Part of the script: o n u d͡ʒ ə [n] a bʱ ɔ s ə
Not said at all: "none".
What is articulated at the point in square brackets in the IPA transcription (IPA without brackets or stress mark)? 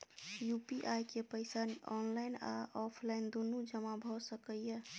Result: m